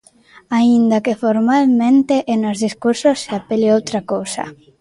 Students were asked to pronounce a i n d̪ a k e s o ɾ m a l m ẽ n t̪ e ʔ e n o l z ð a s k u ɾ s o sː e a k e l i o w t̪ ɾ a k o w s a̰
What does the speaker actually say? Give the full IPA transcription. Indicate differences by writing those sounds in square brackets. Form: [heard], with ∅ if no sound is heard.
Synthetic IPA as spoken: a i n d̪ a k e [f] o ɾ m a l m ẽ n t̪ e ʔ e n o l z ð [i] s k u ɾ s o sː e a [p] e l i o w t̪ ɾ a k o w s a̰